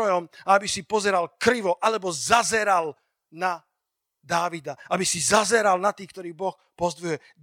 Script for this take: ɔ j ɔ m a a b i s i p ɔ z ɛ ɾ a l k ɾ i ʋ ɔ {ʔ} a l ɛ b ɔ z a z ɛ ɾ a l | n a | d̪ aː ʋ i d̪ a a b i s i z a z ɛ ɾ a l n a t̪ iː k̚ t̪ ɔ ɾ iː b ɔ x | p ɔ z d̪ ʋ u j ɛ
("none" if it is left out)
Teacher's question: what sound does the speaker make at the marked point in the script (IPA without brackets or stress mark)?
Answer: ʔ